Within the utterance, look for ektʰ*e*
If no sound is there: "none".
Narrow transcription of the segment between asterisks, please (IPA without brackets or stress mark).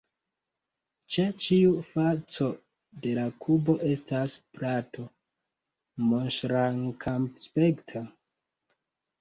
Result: a